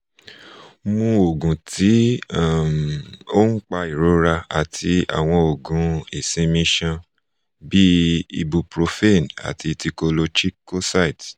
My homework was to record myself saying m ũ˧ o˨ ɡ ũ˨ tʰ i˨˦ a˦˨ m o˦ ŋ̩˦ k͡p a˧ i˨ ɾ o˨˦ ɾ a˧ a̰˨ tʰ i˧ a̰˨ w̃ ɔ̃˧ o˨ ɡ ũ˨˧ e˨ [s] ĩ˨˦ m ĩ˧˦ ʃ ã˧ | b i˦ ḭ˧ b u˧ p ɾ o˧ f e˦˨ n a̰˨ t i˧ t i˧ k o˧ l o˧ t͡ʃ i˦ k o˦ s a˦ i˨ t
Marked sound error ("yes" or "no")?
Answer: no